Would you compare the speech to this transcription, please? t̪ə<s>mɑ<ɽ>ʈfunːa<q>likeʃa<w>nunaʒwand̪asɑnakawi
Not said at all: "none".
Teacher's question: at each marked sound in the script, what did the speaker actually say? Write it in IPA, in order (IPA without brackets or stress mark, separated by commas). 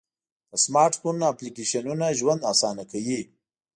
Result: s, ɾ, p, none